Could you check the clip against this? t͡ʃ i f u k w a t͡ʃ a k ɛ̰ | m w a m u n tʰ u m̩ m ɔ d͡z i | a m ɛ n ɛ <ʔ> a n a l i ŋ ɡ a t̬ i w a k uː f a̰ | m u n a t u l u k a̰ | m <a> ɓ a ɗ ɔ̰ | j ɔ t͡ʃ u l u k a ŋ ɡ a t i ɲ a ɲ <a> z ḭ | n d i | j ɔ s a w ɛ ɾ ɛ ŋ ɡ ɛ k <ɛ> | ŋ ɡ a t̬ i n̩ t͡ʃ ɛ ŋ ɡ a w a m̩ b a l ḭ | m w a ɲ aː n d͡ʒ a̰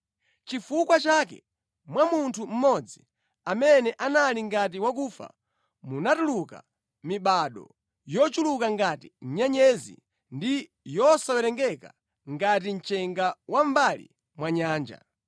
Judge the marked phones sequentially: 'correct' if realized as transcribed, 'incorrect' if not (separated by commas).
correct, incorrect, incorrect, incorrect